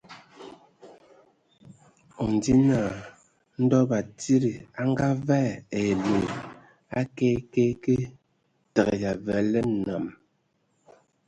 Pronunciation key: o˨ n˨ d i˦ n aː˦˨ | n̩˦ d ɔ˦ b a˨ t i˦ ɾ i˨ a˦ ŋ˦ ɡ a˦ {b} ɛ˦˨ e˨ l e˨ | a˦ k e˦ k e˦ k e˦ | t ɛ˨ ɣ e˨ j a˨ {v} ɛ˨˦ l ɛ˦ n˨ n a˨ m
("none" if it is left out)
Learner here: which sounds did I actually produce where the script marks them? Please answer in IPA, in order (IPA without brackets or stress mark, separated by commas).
v, v